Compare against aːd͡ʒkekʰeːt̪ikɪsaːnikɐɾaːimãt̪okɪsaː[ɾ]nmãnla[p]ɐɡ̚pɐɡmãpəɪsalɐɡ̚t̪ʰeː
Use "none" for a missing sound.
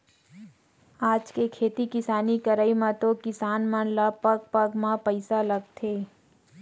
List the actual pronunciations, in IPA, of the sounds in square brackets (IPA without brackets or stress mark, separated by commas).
none, p